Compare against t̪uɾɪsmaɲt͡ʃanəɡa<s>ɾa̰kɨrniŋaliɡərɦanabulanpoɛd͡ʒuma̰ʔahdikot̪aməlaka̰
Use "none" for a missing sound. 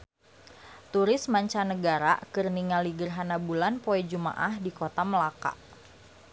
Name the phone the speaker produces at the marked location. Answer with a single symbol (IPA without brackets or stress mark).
none